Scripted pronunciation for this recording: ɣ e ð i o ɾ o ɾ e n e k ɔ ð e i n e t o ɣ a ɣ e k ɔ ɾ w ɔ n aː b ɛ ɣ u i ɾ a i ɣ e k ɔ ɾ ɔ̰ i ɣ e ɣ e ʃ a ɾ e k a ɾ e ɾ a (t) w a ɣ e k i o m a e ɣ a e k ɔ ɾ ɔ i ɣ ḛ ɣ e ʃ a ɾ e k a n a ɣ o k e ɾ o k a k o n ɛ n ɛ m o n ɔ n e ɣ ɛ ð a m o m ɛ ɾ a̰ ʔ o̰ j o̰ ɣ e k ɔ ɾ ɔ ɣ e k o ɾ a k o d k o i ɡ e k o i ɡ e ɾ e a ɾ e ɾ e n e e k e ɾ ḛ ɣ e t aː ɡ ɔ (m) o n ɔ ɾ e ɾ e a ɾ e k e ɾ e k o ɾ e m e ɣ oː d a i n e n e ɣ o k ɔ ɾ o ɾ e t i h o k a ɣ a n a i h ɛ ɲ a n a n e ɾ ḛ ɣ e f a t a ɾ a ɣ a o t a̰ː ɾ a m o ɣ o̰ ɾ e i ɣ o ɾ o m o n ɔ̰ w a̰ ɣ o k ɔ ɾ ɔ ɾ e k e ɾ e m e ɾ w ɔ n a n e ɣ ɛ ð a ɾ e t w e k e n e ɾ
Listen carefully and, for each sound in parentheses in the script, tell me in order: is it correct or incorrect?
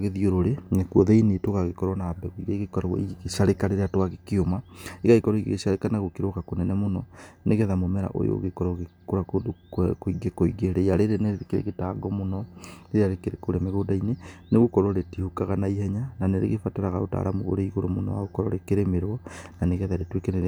correct, correct

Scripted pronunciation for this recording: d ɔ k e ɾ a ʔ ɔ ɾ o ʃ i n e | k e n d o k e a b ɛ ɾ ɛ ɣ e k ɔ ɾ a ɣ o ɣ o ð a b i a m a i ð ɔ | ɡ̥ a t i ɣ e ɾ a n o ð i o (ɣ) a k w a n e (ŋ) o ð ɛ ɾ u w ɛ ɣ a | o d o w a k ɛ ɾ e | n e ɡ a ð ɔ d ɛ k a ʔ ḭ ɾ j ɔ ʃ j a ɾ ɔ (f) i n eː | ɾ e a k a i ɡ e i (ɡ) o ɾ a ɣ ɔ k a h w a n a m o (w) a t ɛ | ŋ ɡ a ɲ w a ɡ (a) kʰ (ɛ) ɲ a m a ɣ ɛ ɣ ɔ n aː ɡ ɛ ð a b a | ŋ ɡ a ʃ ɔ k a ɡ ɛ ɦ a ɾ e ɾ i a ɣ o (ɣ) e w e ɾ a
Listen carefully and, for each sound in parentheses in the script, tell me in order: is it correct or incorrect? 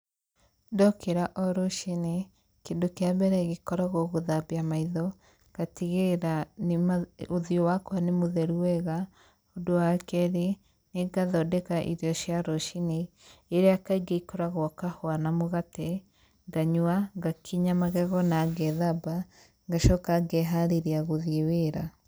incorrect, incorrect, incorrect, incorrect, incorrect, correct, incorrect, incorrect

